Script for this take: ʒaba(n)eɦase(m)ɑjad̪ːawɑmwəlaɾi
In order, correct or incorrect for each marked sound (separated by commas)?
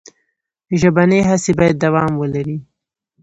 correct, incorrect